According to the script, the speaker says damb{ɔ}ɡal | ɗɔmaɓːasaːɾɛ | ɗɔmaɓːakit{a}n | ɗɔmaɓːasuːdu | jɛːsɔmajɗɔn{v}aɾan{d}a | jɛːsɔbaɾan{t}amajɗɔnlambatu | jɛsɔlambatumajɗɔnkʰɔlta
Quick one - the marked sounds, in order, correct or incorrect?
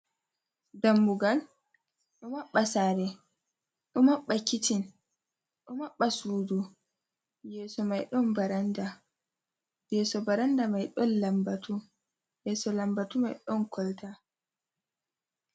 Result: incorrect, incorrect, incorrect, correct, incorrect

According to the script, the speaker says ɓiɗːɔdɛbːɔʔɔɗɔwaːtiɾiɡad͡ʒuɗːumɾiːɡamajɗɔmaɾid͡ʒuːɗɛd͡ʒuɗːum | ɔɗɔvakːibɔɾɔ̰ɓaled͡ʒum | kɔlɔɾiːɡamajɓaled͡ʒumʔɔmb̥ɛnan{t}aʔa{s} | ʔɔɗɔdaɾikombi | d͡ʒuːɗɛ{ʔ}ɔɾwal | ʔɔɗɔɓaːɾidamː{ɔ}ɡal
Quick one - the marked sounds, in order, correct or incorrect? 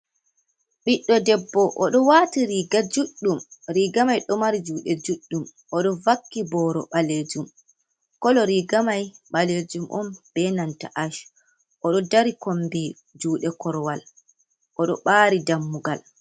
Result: correct, incorrect, incorrect, incorrect

